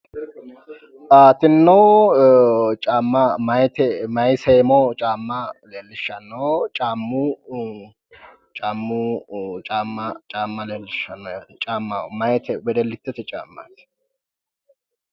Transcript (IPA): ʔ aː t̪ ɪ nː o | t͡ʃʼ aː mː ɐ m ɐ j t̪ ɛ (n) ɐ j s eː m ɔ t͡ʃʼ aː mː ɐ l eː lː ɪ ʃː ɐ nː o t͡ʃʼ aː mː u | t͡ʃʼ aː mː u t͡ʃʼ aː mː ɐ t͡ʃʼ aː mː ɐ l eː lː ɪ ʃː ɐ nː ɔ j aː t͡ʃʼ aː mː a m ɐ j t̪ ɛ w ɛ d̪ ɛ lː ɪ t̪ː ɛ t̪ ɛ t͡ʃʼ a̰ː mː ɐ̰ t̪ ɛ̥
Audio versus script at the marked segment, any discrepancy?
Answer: yes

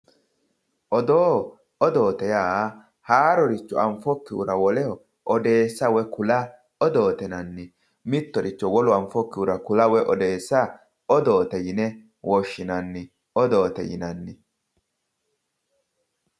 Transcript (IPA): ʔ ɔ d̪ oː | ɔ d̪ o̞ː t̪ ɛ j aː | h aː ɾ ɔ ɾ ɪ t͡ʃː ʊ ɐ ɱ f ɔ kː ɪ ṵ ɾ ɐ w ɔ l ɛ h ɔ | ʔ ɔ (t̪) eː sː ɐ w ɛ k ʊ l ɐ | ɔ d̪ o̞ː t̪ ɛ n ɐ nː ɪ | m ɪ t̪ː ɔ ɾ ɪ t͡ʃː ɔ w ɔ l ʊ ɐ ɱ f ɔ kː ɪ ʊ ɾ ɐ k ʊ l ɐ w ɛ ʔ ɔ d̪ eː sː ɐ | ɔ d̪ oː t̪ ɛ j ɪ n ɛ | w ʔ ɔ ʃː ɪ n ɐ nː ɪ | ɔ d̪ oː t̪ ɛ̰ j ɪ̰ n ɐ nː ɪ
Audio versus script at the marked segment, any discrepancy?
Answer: yes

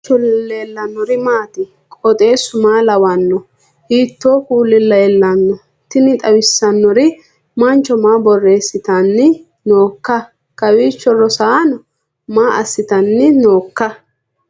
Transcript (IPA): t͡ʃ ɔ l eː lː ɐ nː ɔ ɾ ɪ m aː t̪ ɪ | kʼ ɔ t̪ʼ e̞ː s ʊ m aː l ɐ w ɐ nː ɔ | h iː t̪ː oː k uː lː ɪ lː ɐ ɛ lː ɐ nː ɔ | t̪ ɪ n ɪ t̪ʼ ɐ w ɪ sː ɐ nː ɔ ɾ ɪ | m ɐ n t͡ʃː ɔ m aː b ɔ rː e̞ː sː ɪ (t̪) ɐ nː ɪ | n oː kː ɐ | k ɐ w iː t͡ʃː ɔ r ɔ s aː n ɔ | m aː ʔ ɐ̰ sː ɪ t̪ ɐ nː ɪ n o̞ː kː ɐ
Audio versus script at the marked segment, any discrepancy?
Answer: no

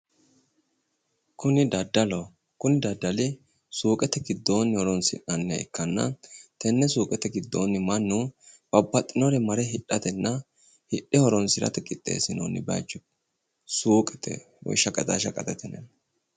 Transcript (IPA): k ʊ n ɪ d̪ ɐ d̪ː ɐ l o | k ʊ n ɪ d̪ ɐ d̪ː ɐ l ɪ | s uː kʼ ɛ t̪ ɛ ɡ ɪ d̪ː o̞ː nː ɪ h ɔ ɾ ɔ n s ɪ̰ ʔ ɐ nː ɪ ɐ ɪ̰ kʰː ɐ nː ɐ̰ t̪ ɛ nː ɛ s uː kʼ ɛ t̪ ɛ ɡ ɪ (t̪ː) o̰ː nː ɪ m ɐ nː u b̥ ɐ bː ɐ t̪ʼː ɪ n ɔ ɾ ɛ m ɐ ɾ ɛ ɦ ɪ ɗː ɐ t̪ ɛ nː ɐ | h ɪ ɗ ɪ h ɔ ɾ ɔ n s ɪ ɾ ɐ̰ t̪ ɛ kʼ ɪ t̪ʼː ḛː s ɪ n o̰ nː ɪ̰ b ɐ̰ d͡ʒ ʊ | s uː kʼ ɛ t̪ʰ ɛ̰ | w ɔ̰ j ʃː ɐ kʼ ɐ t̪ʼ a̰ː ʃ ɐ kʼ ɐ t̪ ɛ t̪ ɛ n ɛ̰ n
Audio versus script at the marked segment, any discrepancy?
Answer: yes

